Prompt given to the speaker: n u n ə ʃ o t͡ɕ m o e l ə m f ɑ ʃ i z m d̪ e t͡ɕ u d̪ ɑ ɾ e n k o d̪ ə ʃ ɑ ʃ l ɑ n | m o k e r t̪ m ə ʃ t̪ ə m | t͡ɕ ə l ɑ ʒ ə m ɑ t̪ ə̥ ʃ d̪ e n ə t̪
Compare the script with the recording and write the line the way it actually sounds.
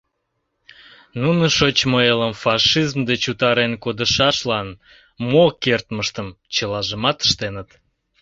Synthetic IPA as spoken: n u n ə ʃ o t͡ɕ m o e l ə m f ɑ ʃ i z m d̪ e t͡ɕ u t̪ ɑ ɾ e n k o d̪ ə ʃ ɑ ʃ l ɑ n | m o k e r t̪ m ə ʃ t̪ ə m | t͡ɕ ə l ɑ ʒ ə m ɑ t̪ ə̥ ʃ t̪ e n ə t̪

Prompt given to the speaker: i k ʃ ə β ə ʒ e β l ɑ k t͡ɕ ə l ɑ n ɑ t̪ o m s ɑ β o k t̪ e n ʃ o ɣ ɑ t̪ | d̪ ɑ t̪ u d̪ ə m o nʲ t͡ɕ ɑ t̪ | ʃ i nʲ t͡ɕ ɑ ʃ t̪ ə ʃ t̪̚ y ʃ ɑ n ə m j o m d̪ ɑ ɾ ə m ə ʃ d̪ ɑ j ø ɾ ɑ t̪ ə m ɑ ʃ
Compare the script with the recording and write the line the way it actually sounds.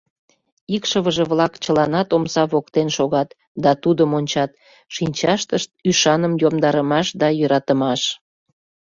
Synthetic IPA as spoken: i k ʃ ə β ə ʒ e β l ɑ k t͡ɕ ə l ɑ n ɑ t̪ o m s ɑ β o k t̪ e n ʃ o ɣ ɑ t̪ | d̪ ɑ t̪ u d̪ ə m o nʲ t͡ɕ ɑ t̪ | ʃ i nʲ t͡ɕ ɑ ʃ t̪ ə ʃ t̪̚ y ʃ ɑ n ə m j o m d̪ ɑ ɾ ə m ɑ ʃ d̪ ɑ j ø ɾ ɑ t̪ ə m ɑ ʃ

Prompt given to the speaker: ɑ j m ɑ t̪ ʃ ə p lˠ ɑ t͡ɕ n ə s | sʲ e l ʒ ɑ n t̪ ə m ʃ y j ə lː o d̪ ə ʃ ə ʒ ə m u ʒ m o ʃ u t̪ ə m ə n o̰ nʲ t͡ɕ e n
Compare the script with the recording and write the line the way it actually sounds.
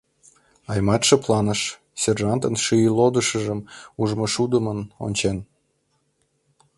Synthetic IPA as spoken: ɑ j m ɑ t̪ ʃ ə p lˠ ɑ n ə ʃ | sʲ e r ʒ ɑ n t̪ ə n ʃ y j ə l o d̪ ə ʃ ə ʒ ə m u ʒ m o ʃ u d̪ ə m ə n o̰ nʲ t͡ɕ e n

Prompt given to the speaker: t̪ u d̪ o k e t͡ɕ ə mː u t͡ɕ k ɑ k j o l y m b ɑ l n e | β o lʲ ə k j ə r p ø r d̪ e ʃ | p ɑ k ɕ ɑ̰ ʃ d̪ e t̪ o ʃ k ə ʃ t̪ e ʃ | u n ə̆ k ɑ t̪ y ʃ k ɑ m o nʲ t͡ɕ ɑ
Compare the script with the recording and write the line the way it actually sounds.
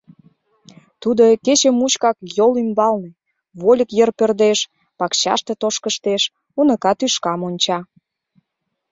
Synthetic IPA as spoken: t̪ u d̪ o k e t͡ɕ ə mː u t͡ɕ k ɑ k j o l y m b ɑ l n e | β o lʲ ə k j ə r p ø r d̪ e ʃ | p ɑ k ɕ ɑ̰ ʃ t̪ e t̪ o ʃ k ə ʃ t̪ e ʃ | u n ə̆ k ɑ t̪ y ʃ k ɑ m o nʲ t͡ɕ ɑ

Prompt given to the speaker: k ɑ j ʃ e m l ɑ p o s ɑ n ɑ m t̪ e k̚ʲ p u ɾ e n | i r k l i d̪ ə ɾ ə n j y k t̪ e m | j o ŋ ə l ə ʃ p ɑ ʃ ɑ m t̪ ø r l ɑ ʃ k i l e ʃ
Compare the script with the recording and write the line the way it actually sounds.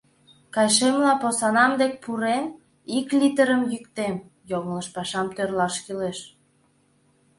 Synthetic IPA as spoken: k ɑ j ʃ e m l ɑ p o s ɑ n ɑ m d̪ e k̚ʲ p u ɾ e n | i k l i t̪ ə ɾ ə m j y k t̪ e m | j o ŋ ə l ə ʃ p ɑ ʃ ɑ m t̪ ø r l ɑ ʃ k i l e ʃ

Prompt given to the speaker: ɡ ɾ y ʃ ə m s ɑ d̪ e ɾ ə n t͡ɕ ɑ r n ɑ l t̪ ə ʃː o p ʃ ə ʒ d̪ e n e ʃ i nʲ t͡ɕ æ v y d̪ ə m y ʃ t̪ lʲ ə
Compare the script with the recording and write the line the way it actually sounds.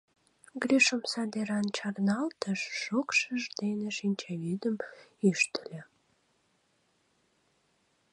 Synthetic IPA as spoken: ɡ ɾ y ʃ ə m s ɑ d̪ e ɾ ɑ n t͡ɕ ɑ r n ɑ l t̪ ə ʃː o k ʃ ə ʒ d̪ e n e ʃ i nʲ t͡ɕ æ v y d̪ ə m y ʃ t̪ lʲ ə

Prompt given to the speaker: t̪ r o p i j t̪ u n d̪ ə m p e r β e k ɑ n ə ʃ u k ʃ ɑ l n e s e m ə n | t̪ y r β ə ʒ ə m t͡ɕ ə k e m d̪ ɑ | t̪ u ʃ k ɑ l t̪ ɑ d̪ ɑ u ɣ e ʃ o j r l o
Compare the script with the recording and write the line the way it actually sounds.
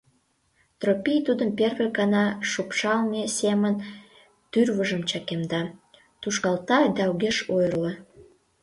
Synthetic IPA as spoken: t̪ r o p i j t̪ u d̪ ə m p e r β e k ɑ n ɑ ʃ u p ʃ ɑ l n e s e m ə n | t̪ y r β ə ʒ ə m t͡ɕ ɑ k e m d̪ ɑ | t̪ u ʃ k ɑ l t̪ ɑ d̪ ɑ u ɣ e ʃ o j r l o

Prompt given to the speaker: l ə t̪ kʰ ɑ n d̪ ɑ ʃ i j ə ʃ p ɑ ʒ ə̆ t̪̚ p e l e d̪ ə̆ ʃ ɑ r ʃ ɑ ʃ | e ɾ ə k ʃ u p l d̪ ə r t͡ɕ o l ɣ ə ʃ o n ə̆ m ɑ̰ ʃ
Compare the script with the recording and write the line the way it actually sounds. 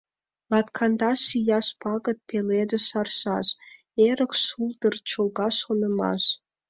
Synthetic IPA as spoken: l ɑ t̪ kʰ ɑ n d̪ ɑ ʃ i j ɑ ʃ p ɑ ɣ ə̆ t̪̚ p e l e d̪ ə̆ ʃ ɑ r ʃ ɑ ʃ | e ɾ ə k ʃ u l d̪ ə r t͡ɕ o l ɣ ɑ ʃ o n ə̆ m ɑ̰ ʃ

